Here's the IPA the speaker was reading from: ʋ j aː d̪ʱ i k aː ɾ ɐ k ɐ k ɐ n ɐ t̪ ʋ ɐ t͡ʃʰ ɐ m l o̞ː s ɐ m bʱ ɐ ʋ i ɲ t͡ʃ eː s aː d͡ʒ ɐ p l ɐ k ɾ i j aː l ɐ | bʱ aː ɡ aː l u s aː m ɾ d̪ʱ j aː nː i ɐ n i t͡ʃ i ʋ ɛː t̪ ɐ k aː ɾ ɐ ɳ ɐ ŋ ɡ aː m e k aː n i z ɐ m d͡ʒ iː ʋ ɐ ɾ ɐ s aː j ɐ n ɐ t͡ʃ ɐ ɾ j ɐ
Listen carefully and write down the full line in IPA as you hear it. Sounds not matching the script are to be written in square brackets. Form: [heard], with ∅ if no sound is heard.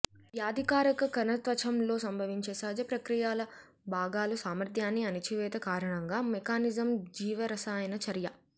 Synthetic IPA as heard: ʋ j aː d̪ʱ i k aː ɾ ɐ k ɐ k ɐ n ɐ t̪ ʋ ɐ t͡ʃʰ ɐ m l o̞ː s ɐ m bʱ ɐ ʋ i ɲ t͡ʃ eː s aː d͡ʒ ɐ p [ɾ] ɐ k ɾ i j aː l ɐ | bʱ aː ɡ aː l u s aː m ɾ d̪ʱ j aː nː i ɐ n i t͡ʃ i ʋ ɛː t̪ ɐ k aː ɾ ɐ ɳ ɐ ŋ ɡ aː m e k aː n i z ɐ m d͡ʒ iː ʋ ɐ ɾ ɐ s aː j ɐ n ɐ t͡ʃ ɐ ɾ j ɐ